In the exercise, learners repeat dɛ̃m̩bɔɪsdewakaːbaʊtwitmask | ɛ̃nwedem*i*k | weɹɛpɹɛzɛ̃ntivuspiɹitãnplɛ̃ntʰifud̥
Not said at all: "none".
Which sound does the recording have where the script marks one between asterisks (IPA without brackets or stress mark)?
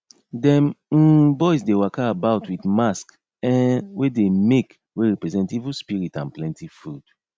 e